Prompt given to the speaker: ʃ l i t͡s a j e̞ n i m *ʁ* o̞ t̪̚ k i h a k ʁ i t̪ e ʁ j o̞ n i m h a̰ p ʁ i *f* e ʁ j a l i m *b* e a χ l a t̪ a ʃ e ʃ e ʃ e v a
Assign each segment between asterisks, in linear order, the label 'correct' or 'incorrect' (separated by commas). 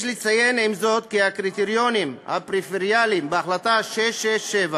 incorrect, correct, correct